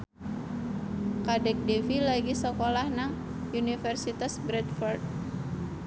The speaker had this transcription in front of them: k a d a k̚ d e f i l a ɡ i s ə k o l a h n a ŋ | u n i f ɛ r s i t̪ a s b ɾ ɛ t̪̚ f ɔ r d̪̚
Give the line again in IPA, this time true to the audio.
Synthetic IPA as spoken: k a d ɛ k̚ d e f i l a ɡ i s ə k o l a h n a ŋ | u n i f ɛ r s i t̪ a s b ɾ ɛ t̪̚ f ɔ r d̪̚